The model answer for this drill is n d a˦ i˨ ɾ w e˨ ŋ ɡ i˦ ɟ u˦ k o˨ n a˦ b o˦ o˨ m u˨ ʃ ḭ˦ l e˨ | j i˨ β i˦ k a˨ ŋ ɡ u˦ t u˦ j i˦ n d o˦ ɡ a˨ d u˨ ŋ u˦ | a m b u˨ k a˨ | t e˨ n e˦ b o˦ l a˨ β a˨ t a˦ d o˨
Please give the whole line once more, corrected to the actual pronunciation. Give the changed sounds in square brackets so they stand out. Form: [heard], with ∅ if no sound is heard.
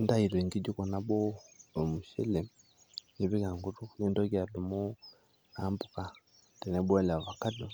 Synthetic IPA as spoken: n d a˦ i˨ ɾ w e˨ ŋ ɡ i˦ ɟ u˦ k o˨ n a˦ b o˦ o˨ m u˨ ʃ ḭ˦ l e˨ | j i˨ β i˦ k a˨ ŋ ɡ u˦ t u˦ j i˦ n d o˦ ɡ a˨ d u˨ [m] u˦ | a m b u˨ k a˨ | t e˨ n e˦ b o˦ l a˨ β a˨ [k] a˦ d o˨